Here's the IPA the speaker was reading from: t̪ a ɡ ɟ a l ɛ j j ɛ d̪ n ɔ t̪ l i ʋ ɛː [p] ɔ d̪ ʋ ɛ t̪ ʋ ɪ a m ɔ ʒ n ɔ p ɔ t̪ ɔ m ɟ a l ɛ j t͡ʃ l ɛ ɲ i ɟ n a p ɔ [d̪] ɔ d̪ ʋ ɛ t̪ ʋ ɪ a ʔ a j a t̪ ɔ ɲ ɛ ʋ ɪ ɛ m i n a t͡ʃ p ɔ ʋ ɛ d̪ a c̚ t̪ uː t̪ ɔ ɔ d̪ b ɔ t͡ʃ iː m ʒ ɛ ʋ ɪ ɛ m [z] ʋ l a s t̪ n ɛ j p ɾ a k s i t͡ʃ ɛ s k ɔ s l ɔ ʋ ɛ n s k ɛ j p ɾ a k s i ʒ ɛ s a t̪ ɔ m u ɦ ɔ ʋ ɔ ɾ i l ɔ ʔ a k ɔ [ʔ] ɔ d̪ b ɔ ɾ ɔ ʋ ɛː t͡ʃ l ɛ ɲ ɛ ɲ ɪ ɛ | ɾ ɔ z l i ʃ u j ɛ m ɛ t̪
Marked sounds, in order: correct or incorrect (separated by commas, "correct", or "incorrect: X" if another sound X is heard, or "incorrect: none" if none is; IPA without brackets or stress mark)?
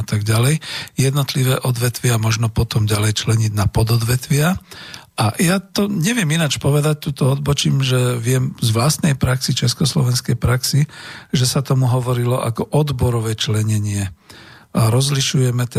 incorrect: ʔ, correct, correct, correct